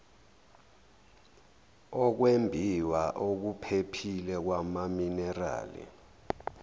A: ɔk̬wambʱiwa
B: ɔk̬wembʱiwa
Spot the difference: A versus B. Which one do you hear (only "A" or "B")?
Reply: B